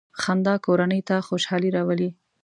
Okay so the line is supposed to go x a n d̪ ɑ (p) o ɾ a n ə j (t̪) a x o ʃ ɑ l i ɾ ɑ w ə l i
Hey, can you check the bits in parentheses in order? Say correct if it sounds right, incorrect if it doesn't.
incorrect: k, correct

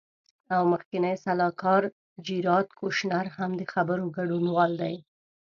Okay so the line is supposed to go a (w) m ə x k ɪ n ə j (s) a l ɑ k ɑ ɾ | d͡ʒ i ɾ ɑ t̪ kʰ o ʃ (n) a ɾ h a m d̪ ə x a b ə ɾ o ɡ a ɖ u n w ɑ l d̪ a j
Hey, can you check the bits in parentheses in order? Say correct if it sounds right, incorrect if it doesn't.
correct, correct, correct

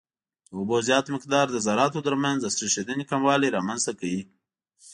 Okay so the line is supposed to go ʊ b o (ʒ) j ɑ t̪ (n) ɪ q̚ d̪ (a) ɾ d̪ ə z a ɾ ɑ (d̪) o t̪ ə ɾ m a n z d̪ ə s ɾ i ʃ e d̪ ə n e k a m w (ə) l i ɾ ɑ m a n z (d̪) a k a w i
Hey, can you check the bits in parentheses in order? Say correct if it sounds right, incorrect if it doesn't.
incorrect: z, incorrect: m, incorrect: ɑ, incorrect: t̪, incorrect: ɑ, incorrect: t̪

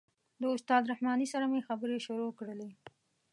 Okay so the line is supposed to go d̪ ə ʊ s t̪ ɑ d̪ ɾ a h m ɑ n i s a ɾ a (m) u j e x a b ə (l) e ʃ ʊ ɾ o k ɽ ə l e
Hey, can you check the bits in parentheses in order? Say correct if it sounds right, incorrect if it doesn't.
correct, incorrect: ɾ

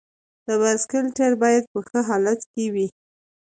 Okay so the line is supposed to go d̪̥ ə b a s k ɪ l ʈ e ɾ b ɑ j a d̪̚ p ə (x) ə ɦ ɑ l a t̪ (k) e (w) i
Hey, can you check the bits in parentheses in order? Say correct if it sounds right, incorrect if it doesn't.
correct, correct, correct

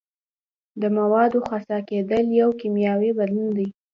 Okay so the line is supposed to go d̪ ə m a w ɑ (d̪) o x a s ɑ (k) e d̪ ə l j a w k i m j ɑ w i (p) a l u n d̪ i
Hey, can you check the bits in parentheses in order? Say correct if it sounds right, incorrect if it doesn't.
correct, correct, incorrect: b

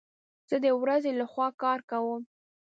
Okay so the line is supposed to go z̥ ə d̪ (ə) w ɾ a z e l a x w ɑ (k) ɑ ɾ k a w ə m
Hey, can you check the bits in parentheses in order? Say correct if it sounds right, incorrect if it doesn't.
correct, correct

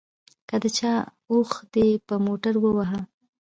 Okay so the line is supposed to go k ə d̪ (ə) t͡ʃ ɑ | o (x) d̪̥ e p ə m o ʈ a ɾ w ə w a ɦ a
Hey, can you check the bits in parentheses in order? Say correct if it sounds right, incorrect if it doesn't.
correct, correct

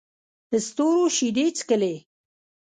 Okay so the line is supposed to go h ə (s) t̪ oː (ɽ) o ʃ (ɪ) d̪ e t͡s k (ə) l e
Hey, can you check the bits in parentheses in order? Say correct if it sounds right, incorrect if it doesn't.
correct, incorrect: ɾ, incorrect: i, correct

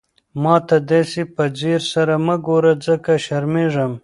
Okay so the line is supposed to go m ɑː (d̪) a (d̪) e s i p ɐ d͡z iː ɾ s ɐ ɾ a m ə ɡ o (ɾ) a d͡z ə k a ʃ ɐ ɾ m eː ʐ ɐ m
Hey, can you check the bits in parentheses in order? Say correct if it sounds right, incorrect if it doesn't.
incorrect: t̪, correct, correct

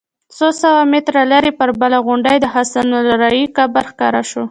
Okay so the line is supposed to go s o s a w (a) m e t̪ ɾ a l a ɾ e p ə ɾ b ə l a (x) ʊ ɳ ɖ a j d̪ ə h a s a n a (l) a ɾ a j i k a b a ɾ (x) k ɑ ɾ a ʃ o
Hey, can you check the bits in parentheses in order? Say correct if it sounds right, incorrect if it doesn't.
correct, incorrect: ɣ, correct, correct

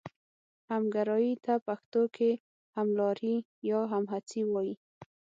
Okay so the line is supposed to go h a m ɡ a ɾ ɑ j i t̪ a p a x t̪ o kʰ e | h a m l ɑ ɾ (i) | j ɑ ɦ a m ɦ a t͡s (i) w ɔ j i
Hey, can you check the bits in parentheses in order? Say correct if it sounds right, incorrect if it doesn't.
correct, correct

